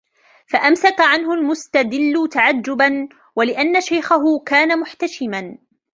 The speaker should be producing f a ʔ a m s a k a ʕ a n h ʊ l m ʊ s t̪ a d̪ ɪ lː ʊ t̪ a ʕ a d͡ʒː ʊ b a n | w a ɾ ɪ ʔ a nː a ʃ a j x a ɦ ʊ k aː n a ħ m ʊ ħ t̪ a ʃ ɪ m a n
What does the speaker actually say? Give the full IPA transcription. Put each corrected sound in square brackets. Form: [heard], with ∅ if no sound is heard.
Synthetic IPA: f a ʔ a m s a k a ʕ a n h ʊ l m ʊ s t̪ a d̪ ɪ lː ʊ t̪ a ʕ a d͡ʒː ʊ b a n | w a [l] ɪ ʔ a nː a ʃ a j x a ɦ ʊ k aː n a [∅] m ʊ ħ t̪ a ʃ ɪ m a n

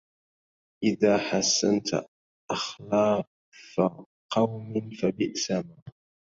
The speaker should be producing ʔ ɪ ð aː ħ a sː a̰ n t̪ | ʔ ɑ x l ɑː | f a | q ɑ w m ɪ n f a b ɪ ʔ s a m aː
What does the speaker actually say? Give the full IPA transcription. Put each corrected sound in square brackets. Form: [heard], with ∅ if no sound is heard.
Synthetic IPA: ʔ ɪ ð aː ħ a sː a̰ n t̪ | ʔ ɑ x l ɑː | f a | q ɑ w m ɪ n f a b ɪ ʔ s a m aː

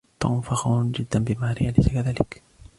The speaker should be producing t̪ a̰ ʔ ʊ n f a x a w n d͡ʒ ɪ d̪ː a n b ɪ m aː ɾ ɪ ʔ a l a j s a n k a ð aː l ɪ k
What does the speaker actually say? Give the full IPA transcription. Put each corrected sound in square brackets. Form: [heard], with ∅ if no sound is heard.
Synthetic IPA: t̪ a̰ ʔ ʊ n f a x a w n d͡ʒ ɪ d̪ː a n b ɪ m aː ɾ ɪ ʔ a l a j s a [∅] k a ð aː l ɪ k

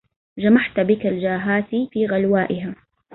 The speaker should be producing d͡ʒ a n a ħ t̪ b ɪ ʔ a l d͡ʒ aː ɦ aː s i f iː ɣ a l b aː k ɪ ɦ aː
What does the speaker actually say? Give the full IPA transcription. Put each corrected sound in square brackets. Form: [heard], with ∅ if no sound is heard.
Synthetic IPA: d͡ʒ a [m] a ħ t̪ b ɪ [k] a l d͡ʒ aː ɦ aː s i f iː ɣ a l [w] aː [ʔ] ɪ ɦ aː

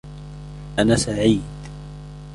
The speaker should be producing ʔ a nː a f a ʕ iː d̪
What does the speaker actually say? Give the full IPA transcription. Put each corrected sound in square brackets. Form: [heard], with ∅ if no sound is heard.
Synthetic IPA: ʔ a [n] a [s] a ʕ iː d̪

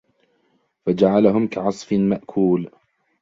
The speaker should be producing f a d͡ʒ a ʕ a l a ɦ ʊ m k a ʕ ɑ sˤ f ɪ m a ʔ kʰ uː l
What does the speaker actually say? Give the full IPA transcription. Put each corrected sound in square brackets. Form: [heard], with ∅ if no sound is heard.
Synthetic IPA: f a d͡ʒ a ʕ a l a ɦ ʊ m k a ʕ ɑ sˤ f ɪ m a ʔ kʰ uː l

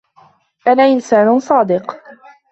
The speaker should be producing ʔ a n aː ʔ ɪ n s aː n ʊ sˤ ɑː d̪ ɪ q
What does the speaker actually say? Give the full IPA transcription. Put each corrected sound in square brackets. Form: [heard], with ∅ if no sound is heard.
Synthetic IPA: ʔ a n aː ʔ ɪ n s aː n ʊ sˤ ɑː d̪ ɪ q

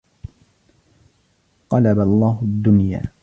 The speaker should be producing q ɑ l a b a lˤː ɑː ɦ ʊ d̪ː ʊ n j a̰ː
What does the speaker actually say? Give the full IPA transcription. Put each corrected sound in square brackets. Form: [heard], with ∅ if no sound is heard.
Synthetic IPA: q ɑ l a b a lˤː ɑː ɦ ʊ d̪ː ʊ n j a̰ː

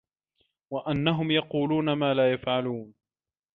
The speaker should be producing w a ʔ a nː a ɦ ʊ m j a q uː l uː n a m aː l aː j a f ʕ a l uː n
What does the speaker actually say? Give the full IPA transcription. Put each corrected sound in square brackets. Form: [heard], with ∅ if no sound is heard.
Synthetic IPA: w a ʔ a nː a ɦ ʊ m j [ɑ] q uː l uː n a m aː l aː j a f ʕ a l uː n

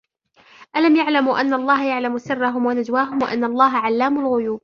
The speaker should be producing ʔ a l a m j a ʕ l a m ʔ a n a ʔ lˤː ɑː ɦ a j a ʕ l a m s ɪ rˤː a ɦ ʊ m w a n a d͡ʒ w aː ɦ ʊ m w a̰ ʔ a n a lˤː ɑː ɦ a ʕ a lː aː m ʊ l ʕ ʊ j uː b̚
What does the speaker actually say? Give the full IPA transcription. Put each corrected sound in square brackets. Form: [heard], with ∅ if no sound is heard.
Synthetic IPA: ʔ a l a m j a ʕ l a m ʔ a [nː] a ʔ lˤː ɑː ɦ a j a ʕ l a m s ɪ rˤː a ɦ ʊ m w a n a d͡ʒ w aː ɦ ʊ m w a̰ ʔ a [nː] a lˤː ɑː ɦ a ʕ a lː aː m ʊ l [ɣ] ʊ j uː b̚

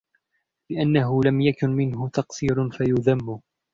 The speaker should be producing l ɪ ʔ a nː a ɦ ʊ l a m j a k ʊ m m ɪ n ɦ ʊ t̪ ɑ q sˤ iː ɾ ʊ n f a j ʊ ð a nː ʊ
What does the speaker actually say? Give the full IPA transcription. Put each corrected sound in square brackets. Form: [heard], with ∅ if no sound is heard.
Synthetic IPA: l ɪ ʔ a nː a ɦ ʊ l a m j a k ʊ [n] m ɪ n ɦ ʊ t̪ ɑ q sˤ iː ɾ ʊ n f a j ʊ ð a [mː] ʊ

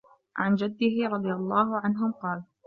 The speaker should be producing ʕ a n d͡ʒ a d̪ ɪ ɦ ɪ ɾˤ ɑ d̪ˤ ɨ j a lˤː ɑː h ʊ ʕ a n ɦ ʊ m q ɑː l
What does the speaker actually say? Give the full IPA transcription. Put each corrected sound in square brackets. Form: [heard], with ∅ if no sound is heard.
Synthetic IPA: ʕ a n d͡ʒ a [d̪ː] ɪ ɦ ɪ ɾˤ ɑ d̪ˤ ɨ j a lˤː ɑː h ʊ ʕ a n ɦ ʊ m q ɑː l

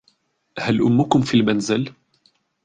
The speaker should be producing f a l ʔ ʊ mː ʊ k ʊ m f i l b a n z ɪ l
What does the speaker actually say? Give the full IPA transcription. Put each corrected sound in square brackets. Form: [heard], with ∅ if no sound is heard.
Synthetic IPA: [h] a l ʔ ʊ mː ʊ k ʊ m f i l [m] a n z ɪ l

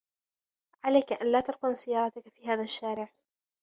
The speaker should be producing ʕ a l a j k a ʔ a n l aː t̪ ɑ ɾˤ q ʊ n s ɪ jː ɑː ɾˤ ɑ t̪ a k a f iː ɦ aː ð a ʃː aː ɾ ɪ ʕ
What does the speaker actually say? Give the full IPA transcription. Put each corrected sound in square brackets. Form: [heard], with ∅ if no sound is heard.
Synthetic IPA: ʕ a l a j k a ʔ a n l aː t̪ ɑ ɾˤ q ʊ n s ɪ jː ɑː ɾˤ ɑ t̪ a k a f iː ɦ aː ð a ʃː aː ɾ ɪ ʕ

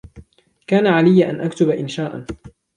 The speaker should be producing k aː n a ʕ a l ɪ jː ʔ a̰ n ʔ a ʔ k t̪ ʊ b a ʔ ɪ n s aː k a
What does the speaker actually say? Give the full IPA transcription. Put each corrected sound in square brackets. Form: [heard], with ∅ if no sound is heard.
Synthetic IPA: k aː n a ʕ a l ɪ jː ʔ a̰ n ʔ a [∅] k t̪ ʊ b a ʔ ɪ n [ʃ] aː [ʔ] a

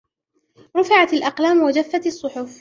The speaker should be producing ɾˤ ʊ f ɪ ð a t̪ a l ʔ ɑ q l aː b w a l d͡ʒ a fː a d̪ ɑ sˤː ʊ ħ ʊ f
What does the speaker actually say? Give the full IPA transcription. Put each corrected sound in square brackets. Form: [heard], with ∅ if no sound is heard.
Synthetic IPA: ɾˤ ʊ f ɪ [ʕ] a t̪ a l ʔ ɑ q l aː [m] w a [∅] d͡ʒ a fː a [t̪] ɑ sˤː ʊ ħ ʊ f

